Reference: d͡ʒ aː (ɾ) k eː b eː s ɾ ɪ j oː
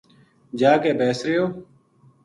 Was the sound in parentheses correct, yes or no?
no